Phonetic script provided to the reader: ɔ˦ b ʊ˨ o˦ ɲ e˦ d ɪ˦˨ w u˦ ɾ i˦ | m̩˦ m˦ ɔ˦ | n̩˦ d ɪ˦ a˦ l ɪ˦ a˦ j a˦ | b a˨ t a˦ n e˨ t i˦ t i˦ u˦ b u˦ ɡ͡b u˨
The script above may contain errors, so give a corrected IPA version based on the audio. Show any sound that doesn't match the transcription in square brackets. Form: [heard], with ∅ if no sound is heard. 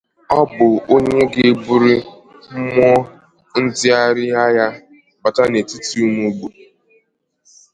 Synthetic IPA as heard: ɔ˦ b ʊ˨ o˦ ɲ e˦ [ɡ] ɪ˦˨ [b] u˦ ɾ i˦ | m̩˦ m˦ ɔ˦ | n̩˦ d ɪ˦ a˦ [ɾ] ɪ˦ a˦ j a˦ | b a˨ t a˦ n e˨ t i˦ t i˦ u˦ [m] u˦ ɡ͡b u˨